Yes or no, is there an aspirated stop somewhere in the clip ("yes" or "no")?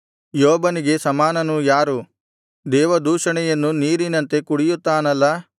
no